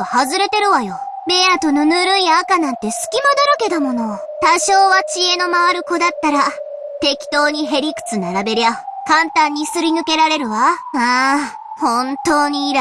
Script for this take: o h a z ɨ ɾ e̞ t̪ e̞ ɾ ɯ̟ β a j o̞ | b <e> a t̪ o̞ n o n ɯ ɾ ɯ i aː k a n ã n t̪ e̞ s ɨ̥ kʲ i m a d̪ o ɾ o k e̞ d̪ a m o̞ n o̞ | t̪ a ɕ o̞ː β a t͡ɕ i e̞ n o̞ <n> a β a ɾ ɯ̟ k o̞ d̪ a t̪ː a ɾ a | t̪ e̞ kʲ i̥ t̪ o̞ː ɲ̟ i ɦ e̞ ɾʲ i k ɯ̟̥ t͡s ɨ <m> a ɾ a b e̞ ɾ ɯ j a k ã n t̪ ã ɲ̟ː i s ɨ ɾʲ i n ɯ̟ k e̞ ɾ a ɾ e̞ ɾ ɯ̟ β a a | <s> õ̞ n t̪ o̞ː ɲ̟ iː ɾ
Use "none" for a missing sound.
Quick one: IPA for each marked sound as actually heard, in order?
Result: e, m, n, h

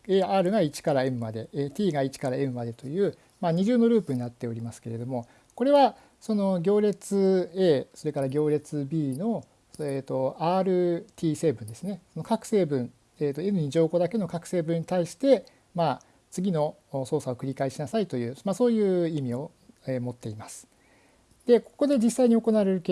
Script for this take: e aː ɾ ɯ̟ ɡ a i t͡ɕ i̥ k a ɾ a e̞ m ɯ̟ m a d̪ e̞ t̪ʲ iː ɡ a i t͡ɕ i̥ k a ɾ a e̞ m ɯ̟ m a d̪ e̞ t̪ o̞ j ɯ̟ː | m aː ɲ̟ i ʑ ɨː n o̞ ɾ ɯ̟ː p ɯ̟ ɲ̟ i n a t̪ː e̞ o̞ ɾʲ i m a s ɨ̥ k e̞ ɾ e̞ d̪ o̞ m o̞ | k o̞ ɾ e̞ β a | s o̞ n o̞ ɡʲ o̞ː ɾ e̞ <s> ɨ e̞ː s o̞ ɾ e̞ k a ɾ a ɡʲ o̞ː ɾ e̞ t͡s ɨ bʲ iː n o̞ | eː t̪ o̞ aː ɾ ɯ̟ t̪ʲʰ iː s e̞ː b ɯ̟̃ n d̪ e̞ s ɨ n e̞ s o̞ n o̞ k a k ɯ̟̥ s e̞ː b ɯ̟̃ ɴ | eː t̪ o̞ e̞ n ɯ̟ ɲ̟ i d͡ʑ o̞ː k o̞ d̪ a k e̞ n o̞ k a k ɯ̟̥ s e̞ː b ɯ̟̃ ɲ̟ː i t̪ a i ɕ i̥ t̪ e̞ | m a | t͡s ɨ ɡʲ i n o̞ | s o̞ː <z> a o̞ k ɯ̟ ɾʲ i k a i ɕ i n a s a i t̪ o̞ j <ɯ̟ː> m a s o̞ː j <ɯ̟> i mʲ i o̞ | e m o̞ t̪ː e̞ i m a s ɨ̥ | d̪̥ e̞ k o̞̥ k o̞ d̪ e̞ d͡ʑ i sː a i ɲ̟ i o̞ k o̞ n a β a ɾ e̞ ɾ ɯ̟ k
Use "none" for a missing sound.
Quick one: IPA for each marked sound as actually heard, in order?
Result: t͡s, s, ɯ̟ː, ɯ̟ː

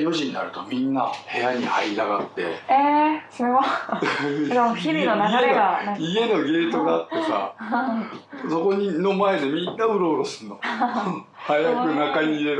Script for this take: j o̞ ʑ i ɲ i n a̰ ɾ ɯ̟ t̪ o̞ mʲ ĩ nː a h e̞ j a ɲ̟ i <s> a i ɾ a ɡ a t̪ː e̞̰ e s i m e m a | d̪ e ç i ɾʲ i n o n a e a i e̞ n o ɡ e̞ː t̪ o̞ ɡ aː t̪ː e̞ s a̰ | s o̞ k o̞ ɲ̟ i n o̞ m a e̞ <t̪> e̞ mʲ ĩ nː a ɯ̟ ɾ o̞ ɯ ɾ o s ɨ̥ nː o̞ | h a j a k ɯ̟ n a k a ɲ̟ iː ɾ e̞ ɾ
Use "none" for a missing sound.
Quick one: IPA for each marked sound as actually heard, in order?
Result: h, d̪

